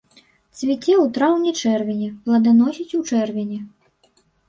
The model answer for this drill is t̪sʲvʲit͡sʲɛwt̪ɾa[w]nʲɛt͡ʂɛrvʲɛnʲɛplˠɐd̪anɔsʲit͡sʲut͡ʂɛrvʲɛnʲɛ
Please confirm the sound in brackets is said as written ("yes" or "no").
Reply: yes